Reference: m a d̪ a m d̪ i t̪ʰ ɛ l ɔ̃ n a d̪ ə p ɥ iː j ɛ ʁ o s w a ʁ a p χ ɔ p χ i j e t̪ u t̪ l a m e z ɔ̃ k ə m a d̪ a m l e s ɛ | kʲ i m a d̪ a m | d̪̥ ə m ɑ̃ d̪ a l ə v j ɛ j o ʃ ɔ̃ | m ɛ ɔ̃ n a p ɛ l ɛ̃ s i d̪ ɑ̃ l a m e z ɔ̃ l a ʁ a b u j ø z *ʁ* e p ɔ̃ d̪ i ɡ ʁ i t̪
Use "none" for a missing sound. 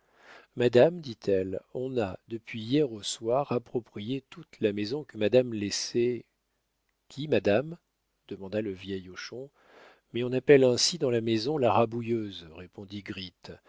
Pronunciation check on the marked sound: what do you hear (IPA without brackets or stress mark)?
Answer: ʁ